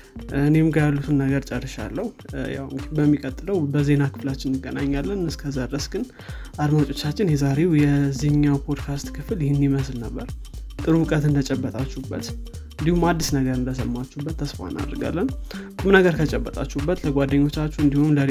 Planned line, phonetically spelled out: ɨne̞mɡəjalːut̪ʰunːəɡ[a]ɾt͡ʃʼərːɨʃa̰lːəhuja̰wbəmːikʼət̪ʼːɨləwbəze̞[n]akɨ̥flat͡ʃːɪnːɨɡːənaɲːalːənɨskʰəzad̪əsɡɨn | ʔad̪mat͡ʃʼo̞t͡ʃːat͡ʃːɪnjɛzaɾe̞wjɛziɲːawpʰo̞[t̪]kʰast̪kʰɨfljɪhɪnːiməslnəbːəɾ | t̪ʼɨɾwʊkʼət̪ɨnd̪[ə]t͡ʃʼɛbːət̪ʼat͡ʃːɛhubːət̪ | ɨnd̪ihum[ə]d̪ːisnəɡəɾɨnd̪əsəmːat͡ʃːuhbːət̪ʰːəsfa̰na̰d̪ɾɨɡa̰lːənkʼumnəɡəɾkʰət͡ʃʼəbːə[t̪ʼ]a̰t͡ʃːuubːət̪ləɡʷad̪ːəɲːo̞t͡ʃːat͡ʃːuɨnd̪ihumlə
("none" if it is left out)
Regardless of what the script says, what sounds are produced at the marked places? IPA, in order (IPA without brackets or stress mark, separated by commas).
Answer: ə, n, d̪, ə, a, t̪ʼ